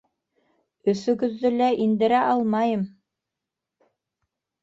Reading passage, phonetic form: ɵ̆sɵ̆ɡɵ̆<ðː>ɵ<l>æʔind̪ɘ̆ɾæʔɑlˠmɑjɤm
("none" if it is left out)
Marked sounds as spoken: ðː, l

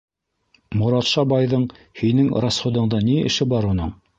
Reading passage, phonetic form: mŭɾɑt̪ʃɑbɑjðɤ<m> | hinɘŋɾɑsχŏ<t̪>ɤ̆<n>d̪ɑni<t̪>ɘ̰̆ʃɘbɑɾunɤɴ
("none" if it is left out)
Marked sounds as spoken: ɴ, d̪, ɴ, none

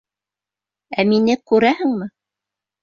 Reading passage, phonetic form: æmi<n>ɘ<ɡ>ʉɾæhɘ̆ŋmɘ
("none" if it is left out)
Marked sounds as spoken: n, k

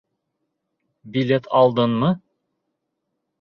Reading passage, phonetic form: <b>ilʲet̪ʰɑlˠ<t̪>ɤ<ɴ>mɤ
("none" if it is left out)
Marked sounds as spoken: b, d̪, n

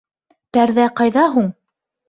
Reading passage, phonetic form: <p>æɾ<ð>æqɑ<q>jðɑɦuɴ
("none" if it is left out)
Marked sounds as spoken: p, ð, none

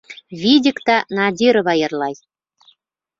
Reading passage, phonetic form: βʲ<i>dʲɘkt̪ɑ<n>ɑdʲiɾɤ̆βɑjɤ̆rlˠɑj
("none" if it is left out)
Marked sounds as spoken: i, n

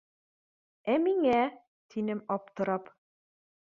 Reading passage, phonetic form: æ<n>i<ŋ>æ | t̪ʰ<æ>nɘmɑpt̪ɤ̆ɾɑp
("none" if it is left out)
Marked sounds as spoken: m, ŋ, i

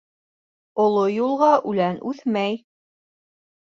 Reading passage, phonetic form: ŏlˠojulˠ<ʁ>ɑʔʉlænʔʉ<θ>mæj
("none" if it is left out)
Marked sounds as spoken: ʁ, θ

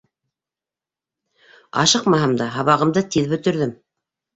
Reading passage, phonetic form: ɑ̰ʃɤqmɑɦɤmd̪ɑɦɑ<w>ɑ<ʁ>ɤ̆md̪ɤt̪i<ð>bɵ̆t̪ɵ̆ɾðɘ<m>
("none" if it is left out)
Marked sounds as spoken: β, ʁ, ð, m

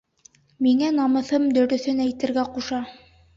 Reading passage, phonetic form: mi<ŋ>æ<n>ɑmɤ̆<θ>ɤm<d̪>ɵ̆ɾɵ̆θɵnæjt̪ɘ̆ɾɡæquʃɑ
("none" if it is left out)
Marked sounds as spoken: ŋ, n, θ, d̪

